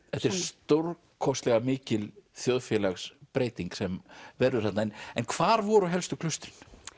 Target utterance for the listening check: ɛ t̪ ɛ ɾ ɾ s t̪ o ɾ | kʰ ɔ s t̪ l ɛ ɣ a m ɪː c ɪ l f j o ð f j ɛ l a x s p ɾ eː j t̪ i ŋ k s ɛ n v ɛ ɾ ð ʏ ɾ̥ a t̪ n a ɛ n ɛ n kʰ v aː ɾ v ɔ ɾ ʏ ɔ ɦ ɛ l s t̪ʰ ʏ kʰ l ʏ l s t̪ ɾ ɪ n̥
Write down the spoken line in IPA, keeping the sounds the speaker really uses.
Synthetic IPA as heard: ɛ t̪ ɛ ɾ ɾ s t̪ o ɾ | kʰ ɔ s t̪ l ɛ ɣ a m ɪː c ɪ l θ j o ð f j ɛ l a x s p ɾ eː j t̪ i ŋ k s ɛ m v ɛ ɾ ð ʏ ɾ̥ a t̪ n a ɛ n ɛ n kʰ v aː ɾ v ɔ ɾ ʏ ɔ ɦ ɛ l s t̪ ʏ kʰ l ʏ s t̪ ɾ ɪ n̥